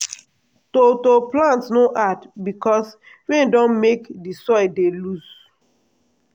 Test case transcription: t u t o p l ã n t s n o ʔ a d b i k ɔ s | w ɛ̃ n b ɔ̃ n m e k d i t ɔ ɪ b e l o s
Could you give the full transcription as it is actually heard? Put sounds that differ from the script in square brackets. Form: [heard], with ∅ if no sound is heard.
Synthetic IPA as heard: t [o] t o p l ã n t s n o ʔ a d b i k ɔ s | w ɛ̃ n [d] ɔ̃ n m e k d i [s] ɔ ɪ [d] e l [u] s